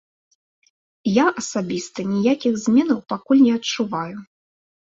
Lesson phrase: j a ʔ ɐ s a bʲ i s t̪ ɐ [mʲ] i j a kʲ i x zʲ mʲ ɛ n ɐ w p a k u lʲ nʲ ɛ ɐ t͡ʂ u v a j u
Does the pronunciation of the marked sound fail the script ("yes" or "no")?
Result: yes